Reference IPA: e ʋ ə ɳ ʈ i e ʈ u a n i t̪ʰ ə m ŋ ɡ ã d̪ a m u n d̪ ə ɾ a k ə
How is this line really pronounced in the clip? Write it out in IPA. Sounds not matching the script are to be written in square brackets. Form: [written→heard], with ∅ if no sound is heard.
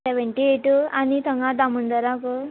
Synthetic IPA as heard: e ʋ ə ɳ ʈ i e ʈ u a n i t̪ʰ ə [m→∅] ŋ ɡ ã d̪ a m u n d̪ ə ɾ a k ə

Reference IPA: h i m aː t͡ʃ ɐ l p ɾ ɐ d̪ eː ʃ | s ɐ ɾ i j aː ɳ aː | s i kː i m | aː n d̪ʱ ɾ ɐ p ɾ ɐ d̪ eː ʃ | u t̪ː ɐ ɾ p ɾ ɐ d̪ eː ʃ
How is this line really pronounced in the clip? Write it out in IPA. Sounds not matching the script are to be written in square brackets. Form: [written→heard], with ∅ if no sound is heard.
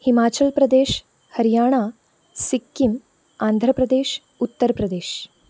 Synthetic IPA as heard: h i m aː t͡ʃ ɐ l p ɾ ɐ d̪ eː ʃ | [s→h] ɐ ɾ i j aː ɳ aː | s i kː i m | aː n d̪ʱ ɾ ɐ p ɾ ɐ d̪ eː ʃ | u t̪ː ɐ ɾ p ɾ ɐ d̪ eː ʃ

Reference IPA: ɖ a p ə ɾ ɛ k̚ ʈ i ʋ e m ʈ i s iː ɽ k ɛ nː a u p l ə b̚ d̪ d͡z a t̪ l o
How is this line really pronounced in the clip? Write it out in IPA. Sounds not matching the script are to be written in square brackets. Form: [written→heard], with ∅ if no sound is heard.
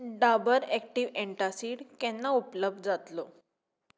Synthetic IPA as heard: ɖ a [p→b] ə ɾ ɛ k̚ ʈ i ʋ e [m→ɳ] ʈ [i→a] s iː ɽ k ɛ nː a u p l ə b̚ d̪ d͡z a t̪ l o

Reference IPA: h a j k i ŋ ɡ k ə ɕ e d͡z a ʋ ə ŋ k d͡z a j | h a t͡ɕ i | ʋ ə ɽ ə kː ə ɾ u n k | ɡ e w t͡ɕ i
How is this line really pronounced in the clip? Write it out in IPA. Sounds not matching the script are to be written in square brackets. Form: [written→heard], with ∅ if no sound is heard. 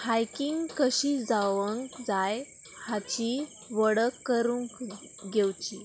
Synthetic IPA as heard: h a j k i ŋ ɡ k ə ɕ [e→i] d͡z a ʋ ə ŋ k d͡z a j | h a t͡ɕ i | ʋ ə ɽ ə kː ə ɾ u [n→ŋ] k | ɡ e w t͡ɕ i

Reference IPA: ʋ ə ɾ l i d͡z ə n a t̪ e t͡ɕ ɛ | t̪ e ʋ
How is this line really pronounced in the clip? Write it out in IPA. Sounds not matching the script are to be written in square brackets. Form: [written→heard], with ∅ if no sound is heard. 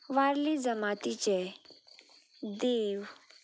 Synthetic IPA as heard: ʋ [ə→a] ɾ l i d͡z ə [n→m] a t̪ [e→i] t͡ɕ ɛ | [t̪→d̪] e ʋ

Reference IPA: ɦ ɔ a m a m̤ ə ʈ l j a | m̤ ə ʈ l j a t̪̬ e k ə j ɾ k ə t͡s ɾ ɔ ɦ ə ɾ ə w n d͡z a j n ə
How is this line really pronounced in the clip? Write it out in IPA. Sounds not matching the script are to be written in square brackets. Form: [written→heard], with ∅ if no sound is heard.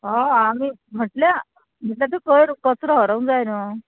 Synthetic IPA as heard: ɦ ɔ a m [a→i] m̤ ə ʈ l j a | m̤ ə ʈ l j a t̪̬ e k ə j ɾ k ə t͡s ɾ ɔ ɦ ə ɾ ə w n d͡z a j n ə

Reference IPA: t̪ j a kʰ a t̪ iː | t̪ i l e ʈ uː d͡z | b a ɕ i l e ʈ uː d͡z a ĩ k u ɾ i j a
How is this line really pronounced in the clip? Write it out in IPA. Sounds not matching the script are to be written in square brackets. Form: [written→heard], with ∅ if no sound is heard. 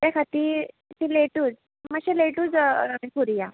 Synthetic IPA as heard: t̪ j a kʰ a t̪ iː | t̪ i l e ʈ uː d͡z | [b→m] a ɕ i l e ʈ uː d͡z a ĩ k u ɾ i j a

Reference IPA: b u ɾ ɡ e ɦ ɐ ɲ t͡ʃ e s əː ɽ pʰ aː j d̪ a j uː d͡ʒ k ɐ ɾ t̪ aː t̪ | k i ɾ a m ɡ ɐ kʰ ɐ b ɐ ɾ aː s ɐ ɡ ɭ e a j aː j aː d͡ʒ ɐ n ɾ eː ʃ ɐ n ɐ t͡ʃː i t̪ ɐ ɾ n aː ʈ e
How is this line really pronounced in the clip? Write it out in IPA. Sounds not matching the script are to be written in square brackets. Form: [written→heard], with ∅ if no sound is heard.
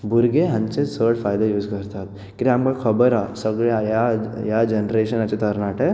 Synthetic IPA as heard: b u ɾ ɡ e ɦ ɐ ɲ t͡ʃ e s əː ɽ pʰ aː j d̪ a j uː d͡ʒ k ɐ ɾ t̪ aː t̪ | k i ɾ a m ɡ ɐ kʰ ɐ b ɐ ɾ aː s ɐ ɡ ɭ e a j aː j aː d͡ʒ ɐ n ɾ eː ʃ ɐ n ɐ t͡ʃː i t̪ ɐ ɾ n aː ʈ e

